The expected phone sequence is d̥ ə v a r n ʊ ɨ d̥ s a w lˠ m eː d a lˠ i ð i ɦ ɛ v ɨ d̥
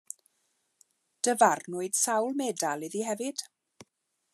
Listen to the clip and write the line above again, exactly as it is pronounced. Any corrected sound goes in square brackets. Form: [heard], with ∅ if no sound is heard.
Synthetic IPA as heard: d̥ ə v a r n ʊ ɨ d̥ s a w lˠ m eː d a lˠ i ð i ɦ ɛ v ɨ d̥

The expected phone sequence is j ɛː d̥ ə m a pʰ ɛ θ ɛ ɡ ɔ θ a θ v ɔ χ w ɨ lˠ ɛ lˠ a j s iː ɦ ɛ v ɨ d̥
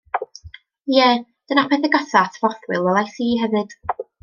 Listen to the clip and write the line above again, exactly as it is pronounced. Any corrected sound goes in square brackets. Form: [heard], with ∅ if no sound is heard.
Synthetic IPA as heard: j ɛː d̥ ə [n] a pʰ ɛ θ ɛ ɡ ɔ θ a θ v ɔ [θ] w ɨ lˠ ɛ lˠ a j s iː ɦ ɛ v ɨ d̥

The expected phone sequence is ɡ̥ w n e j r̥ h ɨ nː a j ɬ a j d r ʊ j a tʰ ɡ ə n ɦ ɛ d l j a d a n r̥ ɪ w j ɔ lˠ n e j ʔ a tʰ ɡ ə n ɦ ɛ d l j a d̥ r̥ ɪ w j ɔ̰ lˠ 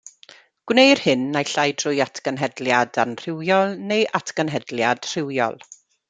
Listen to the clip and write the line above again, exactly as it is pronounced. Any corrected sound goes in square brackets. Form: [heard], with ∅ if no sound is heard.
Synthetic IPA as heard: ɡ̥ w n e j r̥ h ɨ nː a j ɬ a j d r ʊ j a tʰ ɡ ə n ɦ ɛ d l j a d a n r̥ ɪ w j ɔ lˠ n e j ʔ a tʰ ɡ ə n ɦ ɛ d l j a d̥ r̥ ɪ w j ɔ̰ lˠ

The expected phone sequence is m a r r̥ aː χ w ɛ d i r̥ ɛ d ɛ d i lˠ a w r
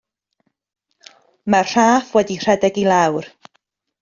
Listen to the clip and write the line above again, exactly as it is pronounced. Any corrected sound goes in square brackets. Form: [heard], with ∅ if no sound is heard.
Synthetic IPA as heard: m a r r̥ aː [f] w ɛ d i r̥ ɛ d ɛ [ɡ] i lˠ a w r

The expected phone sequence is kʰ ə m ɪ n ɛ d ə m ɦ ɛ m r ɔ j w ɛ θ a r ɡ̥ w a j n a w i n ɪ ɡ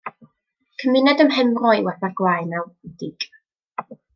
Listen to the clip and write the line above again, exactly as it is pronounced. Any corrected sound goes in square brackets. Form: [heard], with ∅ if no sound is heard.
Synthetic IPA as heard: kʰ ə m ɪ n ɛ d ə m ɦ ɛ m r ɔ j w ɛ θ a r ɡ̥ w a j n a w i [d] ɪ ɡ

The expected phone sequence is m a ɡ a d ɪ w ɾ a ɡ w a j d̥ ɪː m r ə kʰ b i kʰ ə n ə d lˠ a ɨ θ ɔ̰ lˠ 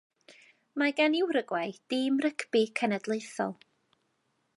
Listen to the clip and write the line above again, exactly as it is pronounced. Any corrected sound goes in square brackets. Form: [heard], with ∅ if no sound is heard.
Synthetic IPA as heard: m a ɡ a [n] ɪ w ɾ [ə] ɡ w a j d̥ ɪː m r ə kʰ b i kʰ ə n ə d lˠ [e] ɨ θ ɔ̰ lˠ

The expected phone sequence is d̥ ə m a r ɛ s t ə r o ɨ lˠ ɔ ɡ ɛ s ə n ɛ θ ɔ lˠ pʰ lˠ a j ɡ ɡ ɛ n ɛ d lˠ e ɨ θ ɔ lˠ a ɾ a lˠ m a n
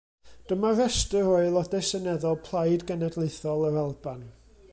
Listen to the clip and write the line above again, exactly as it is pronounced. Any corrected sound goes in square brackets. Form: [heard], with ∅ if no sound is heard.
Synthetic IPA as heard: d̥ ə m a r ɛ s t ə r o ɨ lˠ ɔ [d] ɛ s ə n ɛ [ð] ɔ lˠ pʰ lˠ a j [d] ɡ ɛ n ɛ d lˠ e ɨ θ ɔ lˠ [ə] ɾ a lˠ [b] a n

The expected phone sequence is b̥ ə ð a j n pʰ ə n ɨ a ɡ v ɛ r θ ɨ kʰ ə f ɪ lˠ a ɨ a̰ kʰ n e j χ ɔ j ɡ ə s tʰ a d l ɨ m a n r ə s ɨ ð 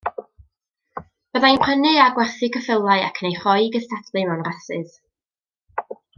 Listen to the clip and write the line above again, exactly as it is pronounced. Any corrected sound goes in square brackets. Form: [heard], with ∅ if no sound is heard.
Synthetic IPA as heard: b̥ ə ð a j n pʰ ə n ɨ a ɡ [w] ɛ r θ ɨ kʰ ə f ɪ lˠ a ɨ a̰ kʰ n e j χ ɔ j ɡ ə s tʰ a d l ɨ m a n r [a] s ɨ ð

